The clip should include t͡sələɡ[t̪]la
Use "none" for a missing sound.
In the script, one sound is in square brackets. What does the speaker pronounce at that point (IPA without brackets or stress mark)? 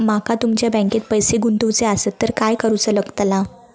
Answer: t̪